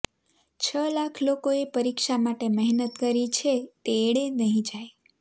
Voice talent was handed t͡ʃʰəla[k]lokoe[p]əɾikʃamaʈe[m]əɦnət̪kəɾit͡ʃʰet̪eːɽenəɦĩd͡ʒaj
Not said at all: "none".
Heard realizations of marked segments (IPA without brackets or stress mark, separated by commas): kʰ, p, m